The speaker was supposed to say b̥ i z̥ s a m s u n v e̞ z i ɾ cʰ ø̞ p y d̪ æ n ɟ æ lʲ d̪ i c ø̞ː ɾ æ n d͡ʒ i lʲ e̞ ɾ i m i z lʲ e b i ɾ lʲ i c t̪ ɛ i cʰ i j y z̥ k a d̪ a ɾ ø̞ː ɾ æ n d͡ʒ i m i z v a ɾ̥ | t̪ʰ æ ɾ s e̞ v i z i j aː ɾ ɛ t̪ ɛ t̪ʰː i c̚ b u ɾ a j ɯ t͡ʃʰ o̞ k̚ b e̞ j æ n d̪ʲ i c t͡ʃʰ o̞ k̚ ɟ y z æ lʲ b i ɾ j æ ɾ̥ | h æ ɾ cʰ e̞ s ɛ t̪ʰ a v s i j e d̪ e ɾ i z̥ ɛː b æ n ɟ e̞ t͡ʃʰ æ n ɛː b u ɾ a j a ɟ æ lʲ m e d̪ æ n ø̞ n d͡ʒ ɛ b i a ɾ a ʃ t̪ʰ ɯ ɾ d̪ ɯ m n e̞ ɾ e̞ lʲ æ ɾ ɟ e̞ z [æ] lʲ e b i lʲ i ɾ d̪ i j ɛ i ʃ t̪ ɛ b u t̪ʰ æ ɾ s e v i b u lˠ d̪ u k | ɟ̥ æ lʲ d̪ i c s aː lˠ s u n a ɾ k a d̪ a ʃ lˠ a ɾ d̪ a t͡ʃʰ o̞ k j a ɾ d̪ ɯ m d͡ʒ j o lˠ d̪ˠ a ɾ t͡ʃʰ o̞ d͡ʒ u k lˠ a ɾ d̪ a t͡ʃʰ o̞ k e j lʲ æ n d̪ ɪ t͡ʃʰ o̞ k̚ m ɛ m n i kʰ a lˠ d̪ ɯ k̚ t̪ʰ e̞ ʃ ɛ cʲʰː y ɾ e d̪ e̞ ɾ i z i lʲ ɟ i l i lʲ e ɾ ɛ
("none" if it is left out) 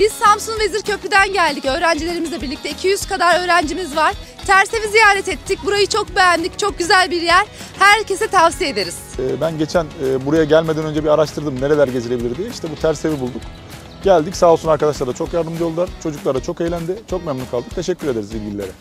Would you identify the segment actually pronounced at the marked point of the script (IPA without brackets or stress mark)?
i